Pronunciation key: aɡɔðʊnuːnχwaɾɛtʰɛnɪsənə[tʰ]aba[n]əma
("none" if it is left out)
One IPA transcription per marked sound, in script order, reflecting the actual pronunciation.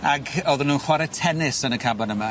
kʰ, n

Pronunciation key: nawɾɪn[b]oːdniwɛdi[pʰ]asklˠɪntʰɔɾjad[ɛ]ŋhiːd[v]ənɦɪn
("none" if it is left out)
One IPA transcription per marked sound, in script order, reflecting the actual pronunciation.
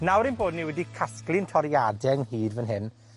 b, kʰ, ɛ, v

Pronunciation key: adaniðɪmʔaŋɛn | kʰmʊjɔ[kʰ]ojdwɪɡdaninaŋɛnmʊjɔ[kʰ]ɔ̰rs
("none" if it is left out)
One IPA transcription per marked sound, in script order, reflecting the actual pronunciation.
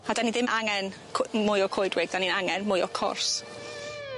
kʰ, kʰ

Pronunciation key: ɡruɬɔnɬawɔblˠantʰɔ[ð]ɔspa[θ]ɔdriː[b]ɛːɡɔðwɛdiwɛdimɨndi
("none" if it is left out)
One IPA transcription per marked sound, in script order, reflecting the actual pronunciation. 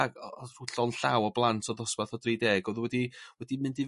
ð, θ, d

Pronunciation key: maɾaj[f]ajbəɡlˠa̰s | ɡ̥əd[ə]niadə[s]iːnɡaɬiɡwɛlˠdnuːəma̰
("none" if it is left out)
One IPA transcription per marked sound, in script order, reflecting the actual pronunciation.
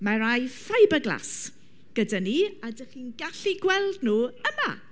f, a, χ

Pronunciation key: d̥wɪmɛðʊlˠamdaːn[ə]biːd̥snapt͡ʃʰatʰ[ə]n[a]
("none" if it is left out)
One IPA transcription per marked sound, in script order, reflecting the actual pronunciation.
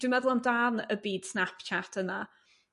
ə, ə, a

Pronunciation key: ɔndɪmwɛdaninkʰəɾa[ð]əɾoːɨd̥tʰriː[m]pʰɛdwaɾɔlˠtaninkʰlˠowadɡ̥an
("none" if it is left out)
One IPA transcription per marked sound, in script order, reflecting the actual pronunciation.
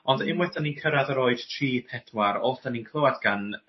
ð, none

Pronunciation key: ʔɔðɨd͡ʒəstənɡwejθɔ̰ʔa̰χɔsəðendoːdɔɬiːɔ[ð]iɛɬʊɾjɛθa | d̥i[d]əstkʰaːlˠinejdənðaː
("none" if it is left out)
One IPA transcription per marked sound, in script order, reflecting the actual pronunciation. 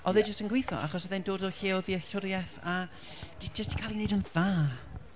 ð, d͡ʒ

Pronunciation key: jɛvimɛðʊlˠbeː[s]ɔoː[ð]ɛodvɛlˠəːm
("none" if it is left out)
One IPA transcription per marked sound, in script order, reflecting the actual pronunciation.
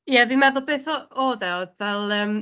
θ, ð

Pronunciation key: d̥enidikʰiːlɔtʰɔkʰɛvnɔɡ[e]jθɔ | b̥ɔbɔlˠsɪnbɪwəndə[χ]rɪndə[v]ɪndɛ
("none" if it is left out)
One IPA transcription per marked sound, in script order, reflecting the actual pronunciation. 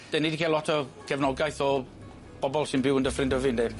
a, f, v

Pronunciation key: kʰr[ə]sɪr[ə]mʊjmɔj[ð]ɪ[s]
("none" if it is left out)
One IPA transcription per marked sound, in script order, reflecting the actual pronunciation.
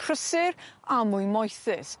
ə, a, θ, s

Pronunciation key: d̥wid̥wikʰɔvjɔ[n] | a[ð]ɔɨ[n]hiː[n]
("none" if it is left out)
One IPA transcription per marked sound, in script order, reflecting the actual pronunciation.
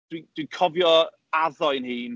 none, ð, n, n

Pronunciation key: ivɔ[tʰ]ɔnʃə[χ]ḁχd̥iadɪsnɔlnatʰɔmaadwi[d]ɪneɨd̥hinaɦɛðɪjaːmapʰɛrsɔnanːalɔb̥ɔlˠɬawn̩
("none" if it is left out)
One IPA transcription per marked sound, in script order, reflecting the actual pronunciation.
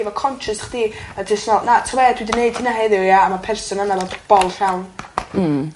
kʰ, s, d

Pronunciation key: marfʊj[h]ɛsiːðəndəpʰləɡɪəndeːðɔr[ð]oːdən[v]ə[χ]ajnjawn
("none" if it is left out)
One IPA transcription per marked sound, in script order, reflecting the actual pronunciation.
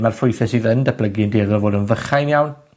θ, v, v, χ

